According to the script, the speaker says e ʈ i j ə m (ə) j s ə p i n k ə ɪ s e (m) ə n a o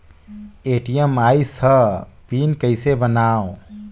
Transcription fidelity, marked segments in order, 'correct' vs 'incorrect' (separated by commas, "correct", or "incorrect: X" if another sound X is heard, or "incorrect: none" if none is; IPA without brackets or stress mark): incorrect: a, incorrect: b